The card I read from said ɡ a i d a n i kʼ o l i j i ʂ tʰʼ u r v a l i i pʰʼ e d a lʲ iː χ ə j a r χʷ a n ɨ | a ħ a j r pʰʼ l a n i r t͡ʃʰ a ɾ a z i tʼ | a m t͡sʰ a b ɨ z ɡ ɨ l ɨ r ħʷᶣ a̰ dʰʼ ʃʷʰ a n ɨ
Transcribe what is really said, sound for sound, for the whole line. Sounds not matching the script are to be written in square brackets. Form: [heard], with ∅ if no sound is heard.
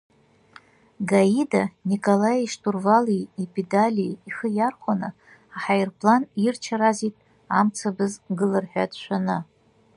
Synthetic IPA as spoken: ɡ a i d a n i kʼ o l [a] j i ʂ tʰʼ u r v a l i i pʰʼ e d a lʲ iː χ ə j a r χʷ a n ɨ | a ħ a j r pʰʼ l a n i r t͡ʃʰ a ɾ a z i tʼ | a m t͡sʰ a b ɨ z ɡ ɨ l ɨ r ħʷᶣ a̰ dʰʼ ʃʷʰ a n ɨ